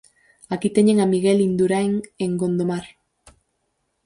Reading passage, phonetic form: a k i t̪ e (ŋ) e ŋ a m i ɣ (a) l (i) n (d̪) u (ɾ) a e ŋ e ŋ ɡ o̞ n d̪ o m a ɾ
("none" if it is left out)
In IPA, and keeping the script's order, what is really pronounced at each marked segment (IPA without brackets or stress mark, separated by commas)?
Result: ɲ, e, i, d̪, ɾ